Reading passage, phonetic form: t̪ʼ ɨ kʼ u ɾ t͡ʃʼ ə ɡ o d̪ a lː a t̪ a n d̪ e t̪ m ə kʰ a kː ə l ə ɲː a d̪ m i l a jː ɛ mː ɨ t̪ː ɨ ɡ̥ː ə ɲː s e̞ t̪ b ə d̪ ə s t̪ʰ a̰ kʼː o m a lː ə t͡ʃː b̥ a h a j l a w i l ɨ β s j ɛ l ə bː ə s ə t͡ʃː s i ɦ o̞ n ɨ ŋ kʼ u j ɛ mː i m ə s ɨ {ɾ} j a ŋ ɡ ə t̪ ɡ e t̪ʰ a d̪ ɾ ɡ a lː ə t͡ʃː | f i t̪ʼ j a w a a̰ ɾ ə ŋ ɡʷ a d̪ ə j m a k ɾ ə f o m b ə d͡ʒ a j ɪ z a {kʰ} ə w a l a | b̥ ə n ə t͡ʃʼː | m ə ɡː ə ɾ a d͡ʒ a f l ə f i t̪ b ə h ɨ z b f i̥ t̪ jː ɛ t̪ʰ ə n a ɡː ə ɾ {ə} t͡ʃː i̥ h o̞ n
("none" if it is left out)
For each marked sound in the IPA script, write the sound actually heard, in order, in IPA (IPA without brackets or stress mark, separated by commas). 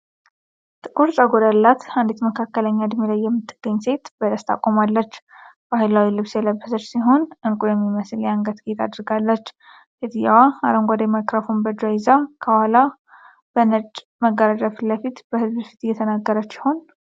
l, kʰ, ə